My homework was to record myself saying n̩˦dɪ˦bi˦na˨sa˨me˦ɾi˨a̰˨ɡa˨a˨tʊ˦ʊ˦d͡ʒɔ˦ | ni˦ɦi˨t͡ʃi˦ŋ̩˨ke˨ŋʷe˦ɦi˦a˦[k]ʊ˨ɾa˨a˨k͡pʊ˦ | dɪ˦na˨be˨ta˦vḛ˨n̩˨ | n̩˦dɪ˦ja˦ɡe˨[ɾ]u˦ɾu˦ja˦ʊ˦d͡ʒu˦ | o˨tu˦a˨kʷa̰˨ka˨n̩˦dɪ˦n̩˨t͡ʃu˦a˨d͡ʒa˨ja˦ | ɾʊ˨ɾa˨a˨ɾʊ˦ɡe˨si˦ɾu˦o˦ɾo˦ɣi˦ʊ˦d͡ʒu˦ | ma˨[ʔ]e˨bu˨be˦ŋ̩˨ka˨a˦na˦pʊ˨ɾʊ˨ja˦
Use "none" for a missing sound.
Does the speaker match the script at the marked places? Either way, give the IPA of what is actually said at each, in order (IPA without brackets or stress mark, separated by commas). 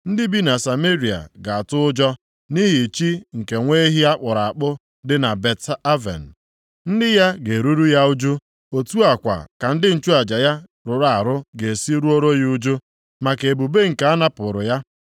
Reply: k͡p, ɾ, k